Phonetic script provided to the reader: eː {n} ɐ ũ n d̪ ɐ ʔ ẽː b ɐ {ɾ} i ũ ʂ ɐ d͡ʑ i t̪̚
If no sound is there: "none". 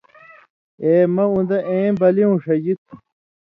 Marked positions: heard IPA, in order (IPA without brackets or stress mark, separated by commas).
m, l